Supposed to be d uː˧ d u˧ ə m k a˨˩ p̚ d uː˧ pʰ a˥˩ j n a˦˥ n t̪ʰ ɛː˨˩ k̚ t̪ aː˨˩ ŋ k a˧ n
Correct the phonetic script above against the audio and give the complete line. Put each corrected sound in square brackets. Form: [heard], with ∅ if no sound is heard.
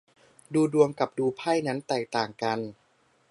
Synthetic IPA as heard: d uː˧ d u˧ ə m k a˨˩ p̚ d uː˧ pʰ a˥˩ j n a˦˥ n [t̪] ɛː˨˩ k̚ t̪ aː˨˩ ŋ k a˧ n